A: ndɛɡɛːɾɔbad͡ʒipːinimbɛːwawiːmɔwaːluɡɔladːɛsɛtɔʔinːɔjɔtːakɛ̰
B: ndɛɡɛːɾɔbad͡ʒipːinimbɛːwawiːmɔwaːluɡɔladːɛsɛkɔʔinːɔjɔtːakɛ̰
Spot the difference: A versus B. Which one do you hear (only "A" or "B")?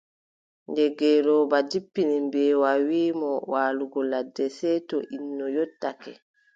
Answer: A